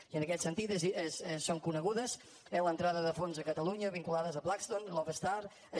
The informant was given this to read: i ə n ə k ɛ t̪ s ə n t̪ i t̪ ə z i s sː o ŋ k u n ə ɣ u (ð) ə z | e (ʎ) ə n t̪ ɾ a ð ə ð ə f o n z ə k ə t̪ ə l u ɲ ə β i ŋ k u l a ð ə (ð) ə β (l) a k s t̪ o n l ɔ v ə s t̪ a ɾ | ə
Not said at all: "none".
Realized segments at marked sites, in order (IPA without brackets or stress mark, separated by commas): ð, l, z, l